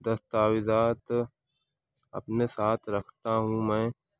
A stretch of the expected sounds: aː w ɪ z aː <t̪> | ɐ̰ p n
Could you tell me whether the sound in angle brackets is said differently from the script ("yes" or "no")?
no